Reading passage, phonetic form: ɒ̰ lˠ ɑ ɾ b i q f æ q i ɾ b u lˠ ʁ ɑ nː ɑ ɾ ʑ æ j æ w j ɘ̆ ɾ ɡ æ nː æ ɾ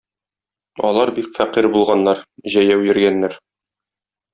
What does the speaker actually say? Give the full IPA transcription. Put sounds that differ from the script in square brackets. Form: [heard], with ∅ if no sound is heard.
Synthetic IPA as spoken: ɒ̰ lˠ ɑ ɾ b i [k] f æ q i ɾ b u lˠ ʁ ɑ nː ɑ ɾ ʑ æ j æ w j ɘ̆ ɾ ɡ æ nː æ ɾ